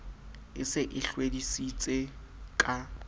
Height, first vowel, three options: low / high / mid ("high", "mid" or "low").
high